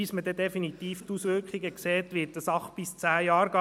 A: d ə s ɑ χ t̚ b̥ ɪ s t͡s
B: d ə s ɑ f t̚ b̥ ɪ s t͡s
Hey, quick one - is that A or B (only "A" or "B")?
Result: A